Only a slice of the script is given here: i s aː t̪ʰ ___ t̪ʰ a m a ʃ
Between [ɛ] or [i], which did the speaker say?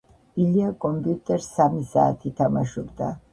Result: i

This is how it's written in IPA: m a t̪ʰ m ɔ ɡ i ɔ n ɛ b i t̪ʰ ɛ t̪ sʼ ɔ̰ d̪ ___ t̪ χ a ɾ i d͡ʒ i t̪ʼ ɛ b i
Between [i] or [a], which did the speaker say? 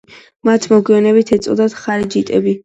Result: a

